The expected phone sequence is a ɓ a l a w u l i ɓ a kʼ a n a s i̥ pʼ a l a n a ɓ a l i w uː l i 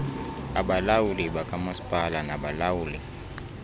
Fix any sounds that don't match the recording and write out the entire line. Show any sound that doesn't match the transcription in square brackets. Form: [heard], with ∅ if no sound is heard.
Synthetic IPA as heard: a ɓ a l a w u l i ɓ a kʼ a [m] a s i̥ pʼ a l a n a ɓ a l [a] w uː l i